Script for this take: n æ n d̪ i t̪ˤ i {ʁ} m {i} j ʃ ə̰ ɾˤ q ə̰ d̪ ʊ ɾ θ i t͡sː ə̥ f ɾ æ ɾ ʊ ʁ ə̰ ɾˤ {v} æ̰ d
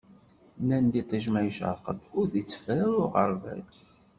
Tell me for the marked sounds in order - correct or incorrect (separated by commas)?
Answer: incorrect, incorrect, correct